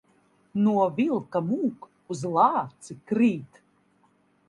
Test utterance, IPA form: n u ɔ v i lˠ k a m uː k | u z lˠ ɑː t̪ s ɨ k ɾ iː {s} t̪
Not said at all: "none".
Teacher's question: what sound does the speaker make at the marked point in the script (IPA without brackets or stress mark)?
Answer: none